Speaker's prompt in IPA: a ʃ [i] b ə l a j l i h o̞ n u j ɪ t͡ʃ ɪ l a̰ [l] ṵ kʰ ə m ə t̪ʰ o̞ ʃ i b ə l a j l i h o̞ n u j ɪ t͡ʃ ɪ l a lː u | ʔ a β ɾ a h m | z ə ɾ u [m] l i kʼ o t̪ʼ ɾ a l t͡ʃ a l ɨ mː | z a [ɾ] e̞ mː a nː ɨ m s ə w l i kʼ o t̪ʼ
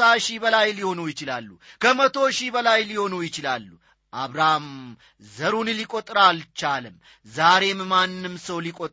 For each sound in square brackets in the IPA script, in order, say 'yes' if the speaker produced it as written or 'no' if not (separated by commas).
yes, no, no, yes